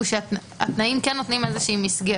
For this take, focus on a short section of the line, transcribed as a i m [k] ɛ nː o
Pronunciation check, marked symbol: correct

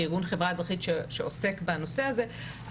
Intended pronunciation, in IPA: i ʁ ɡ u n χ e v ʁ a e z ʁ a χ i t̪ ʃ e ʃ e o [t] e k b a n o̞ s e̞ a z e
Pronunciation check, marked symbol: incorrect: s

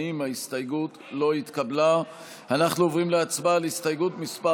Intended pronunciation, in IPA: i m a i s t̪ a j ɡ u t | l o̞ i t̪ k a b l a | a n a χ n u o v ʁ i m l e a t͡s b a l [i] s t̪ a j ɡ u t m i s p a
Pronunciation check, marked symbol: correct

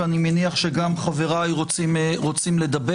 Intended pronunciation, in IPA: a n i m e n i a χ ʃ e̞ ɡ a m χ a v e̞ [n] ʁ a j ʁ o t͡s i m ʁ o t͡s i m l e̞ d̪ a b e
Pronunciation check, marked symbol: incorrect: none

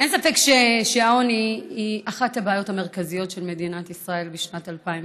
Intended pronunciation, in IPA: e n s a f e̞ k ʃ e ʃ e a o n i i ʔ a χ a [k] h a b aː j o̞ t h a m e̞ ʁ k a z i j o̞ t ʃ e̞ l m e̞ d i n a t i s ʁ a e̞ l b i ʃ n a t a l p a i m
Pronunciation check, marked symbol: incorrect: t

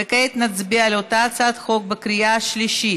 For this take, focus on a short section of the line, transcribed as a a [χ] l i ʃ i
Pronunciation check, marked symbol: incorrect: ʃ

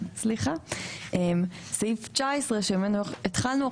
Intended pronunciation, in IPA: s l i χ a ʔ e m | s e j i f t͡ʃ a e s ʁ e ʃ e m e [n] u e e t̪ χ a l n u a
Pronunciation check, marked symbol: correct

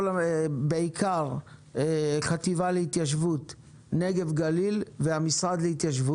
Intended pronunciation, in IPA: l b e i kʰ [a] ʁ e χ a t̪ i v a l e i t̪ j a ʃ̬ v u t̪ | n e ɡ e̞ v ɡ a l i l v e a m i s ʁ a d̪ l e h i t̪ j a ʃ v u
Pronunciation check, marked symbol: correct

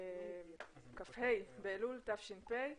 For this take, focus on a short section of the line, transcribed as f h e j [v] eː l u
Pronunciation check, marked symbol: incorrect: b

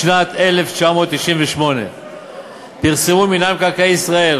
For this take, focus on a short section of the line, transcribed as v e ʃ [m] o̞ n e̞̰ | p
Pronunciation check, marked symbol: correct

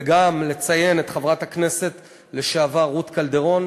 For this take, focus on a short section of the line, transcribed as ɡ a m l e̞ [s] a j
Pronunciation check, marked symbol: incorrect: t͡s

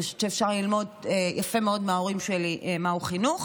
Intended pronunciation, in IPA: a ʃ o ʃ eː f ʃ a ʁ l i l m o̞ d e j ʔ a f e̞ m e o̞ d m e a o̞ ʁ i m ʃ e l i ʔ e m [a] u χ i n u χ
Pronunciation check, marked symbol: correct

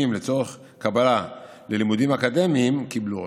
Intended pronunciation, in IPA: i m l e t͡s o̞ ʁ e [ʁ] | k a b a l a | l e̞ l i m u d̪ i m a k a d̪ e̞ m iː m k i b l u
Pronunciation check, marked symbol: incorrect: χ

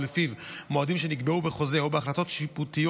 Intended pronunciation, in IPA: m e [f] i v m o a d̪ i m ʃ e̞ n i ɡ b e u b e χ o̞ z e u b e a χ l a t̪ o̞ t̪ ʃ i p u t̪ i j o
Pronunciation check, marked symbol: correct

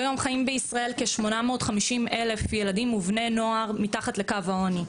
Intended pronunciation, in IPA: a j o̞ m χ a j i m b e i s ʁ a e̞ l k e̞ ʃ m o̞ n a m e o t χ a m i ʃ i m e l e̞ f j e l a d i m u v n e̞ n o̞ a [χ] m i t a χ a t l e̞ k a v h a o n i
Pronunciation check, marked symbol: incorrect: ʁ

